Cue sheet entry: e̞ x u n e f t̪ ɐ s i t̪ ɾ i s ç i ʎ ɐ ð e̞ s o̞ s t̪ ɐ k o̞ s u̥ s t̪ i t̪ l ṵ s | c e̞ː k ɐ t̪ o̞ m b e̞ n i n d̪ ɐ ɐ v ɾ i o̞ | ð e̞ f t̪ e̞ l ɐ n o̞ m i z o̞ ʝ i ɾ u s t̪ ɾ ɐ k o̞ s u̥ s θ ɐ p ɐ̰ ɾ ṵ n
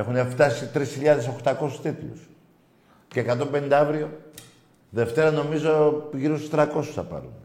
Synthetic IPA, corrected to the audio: e̞ x u n e f t̪ ɐ s i t̪ ɾ i s ç i ʎ ɐ ð e̞ s o̞ x t̪ ɐ k o̞ s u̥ s t̪ i t̪ l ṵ s | c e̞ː k ɐ t̪ o̞ m b e̞ n i n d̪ ɐ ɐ v ɾ i o̞ | ð e̞ f t̪ e̞ ɾ ɐ n o̞ m i z o̞ ʝ i ɾ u s t̪ ɾ ɐ k o̞ s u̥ s θ ɐ p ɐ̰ ɾ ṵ n